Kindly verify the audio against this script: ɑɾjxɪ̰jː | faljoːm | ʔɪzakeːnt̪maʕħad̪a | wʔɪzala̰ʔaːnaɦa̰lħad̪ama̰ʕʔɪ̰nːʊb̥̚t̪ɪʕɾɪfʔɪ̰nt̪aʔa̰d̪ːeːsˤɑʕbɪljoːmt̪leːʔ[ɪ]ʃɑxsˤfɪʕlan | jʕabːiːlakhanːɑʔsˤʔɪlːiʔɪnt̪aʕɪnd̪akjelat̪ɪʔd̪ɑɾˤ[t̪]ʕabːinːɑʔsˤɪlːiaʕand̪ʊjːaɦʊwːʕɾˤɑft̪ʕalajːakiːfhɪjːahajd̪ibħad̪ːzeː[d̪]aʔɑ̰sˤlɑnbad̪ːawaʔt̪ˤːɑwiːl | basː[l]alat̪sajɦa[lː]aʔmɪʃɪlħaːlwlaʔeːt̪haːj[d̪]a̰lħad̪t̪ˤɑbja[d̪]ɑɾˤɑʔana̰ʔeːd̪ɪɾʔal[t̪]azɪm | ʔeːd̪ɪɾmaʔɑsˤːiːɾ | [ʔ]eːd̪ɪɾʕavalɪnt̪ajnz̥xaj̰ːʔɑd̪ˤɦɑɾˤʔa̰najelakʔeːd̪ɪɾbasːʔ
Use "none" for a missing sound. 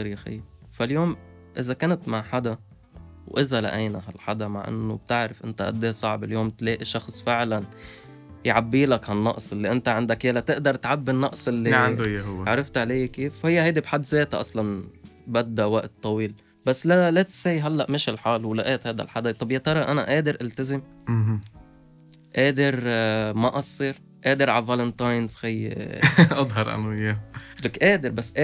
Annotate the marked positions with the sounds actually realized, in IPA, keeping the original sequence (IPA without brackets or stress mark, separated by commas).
i, t̪, t̪, l, lː, d̪, t̪, t̪, ʔ